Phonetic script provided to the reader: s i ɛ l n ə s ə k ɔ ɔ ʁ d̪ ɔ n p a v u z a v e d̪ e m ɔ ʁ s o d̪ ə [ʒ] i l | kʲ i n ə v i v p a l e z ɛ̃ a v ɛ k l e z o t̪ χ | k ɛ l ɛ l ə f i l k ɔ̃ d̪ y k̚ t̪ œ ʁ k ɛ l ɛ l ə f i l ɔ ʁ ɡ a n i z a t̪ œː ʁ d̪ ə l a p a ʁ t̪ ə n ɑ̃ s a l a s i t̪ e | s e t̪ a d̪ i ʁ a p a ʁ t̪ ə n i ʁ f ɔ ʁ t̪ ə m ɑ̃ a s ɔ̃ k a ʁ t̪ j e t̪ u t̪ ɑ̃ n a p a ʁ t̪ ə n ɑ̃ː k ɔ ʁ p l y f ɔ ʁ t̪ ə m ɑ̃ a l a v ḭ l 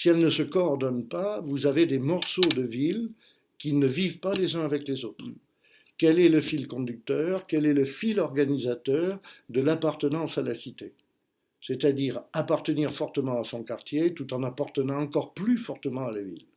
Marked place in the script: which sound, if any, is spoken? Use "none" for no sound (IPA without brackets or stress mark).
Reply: v